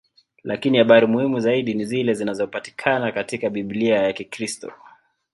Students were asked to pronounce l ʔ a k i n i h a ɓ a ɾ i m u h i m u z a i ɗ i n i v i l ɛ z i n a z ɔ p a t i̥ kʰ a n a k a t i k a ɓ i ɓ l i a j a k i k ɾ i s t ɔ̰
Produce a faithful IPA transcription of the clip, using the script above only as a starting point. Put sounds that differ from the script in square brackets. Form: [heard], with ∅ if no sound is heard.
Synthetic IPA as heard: l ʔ a k i n i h a ɓ a ɾ i m u h i m u z a i ɗ i n i [z] i l ɛ z i n a z ɔ p a t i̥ kʰ a n a k a t i k a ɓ i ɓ l i a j a k i k ɾ i s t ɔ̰